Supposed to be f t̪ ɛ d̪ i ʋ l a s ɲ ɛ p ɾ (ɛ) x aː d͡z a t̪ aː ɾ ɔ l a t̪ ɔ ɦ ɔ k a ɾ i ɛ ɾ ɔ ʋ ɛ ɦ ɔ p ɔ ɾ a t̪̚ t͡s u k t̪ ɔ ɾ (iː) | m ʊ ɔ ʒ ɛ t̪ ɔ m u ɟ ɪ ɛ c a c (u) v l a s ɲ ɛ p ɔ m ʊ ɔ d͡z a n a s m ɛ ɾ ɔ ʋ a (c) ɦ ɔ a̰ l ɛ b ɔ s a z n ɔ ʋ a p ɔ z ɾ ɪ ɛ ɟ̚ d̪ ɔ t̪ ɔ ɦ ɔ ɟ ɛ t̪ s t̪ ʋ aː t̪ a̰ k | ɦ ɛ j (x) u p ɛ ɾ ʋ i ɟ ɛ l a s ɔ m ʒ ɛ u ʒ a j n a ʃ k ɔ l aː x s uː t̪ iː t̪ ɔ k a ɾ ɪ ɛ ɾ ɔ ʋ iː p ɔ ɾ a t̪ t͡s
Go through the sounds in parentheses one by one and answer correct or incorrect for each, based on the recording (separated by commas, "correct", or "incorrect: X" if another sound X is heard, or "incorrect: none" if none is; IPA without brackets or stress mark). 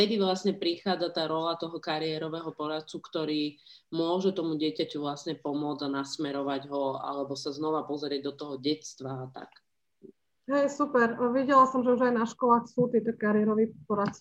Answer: incorrect: i, correct, correct, incorrect: ɟ, incorrect: s